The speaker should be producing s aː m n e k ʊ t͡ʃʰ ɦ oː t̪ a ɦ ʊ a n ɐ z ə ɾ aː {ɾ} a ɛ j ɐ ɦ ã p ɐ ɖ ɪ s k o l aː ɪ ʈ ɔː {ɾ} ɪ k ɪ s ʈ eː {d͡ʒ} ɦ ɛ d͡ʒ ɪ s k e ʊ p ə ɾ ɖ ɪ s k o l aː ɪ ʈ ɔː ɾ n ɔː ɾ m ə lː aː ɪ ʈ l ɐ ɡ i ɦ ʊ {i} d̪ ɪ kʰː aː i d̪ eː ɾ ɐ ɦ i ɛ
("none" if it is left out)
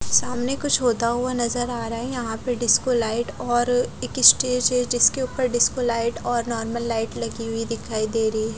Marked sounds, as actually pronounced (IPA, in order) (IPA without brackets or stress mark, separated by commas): ɾ, ɾ, d͡ʒ, i